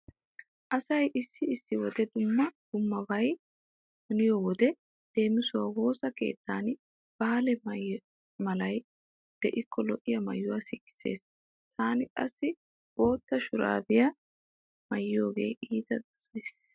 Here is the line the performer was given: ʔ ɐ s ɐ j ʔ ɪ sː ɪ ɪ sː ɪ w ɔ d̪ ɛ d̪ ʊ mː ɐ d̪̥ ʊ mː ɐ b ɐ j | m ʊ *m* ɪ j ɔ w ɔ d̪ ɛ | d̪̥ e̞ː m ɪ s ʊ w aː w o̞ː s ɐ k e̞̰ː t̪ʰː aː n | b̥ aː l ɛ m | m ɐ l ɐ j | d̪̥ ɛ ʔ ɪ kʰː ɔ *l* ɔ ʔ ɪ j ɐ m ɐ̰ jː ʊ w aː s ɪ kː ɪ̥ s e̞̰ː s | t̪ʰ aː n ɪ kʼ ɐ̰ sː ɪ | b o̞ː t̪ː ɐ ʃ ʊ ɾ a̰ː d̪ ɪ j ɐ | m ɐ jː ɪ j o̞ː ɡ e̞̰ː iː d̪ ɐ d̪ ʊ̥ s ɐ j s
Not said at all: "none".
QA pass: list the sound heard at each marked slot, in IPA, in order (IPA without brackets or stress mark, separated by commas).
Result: n, l